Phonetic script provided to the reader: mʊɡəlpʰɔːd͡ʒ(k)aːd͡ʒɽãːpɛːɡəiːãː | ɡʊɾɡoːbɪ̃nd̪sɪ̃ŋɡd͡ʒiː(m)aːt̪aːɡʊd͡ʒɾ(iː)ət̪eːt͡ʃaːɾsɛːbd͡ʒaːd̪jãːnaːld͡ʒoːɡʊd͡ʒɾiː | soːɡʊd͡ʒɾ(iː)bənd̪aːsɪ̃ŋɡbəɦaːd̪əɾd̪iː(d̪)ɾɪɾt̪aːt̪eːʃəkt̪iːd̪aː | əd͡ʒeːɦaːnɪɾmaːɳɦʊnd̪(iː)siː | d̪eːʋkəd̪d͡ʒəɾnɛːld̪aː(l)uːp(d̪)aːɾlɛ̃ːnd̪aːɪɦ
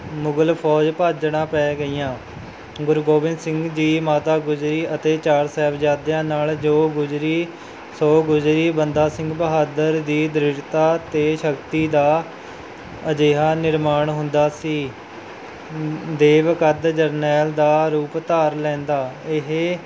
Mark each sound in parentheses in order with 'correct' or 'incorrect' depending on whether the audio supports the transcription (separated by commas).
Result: incorrect, correct, correct, correct, correct, incorrect, incorrect, incorrect